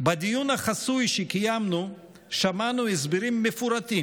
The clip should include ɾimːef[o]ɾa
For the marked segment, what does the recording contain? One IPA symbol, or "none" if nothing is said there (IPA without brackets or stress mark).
u